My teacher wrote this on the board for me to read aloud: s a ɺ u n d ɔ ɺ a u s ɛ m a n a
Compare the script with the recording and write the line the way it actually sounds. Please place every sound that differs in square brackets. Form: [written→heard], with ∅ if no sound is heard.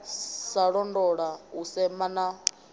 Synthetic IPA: s a ɺ [u→ɔ] n d ɔ ɺ a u s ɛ m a n a